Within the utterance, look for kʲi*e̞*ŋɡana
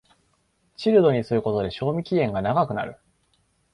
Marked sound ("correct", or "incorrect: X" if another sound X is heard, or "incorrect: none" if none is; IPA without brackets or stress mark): incorrect: ẽ̞